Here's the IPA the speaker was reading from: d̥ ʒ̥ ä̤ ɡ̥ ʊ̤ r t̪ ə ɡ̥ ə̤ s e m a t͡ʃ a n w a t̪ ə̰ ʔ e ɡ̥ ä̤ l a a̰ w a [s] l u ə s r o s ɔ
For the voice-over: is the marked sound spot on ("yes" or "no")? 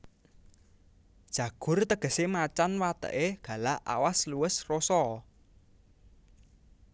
yes